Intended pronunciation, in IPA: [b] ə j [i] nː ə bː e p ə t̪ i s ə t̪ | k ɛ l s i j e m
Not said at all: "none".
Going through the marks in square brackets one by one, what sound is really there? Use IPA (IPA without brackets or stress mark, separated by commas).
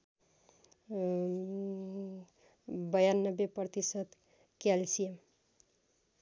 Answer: b, a